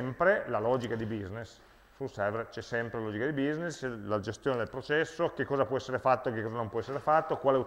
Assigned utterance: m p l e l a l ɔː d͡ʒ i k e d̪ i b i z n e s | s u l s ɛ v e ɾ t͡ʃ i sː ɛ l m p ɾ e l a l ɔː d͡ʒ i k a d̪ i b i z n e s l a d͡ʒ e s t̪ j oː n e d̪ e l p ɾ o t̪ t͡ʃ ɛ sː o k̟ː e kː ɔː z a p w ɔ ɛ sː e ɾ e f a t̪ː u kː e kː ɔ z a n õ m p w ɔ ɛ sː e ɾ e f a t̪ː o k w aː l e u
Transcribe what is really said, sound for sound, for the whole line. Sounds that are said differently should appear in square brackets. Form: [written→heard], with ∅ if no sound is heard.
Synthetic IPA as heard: m p [l→ɾ] e l a l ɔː d͡ʒ i k [e→a] d̪ i b i z n e s | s u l s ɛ v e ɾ t͡ʃ [i→ɛ] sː ɛ [l→∅] m p ɾ e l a l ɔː d͡ʒ i k a d̪ i b i z n e s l a d͡ʒ e s t̪ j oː n e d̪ e l p ɾ o [t̪→∅] t͡ʃ ɛ sː o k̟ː e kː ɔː z a p w ɔ ɛ sː e ɾ e f a t̪ː [u→o] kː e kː ɔ z a n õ m p w ɔ ɛ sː e ɾ e f a t̪ː o k w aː l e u